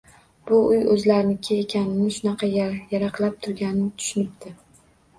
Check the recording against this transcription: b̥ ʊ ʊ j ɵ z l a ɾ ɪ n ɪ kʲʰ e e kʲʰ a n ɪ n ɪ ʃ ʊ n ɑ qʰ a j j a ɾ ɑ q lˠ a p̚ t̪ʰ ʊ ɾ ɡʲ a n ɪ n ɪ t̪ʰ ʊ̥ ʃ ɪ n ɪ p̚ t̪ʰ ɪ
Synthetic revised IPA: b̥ ʊ ʊ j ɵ z l a ɾ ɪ n ɪ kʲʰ e e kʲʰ a n ɪ n ɪ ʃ ʊ n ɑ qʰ ɑ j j a ɾ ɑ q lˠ a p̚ t̪ʰ ʊ ɾ ɡʲ a n ɪ n ɪ t̪ʰ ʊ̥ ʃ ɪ n ɪ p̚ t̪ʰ ɪ